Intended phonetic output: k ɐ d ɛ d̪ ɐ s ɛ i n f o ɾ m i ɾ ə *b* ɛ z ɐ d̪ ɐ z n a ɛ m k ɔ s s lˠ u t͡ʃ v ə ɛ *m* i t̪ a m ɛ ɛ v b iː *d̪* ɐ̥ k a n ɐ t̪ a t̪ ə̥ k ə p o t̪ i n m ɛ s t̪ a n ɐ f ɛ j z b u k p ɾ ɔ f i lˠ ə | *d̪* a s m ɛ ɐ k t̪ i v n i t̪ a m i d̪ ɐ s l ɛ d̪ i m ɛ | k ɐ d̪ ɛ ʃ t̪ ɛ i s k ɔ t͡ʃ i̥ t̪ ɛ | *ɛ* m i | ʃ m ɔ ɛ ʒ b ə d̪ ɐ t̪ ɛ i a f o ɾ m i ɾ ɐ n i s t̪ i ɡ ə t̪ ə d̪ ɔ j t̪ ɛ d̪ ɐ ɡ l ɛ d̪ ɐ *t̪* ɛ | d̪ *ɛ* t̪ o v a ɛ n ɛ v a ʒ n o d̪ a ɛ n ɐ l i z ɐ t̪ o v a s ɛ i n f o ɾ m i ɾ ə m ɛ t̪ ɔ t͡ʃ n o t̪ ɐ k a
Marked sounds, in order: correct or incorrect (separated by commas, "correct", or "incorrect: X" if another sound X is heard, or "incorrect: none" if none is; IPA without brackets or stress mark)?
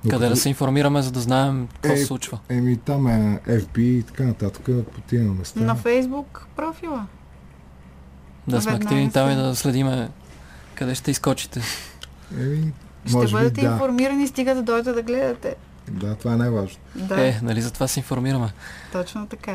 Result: incorrect: m, correct, incorrect: t̪, correct, correct, correct, incorrect: a